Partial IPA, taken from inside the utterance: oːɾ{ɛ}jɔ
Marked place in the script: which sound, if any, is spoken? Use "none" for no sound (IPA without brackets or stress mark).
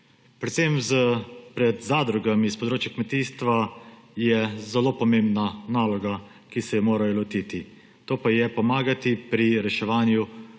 a